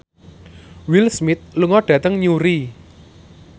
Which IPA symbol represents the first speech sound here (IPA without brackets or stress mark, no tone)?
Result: w